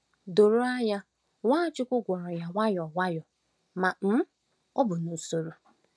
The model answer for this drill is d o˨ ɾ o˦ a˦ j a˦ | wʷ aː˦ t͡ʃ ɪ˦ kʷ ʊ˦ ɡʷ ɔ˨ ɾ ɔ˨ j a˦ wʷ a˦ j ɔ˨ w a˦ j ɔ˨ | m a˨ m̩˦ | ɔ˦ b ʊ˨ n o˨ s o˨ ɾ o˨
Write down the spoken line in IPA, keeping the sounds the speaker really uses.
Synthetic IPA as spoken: d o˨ ɾ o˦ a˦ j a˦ | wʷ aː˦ t͡ʃ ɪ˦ kʷ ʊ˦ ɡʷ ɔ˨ ɾ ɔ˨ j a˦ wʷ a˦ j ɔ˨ w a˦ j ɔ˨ | m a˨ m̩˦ | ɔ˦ b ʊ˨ n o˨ s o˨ ɾ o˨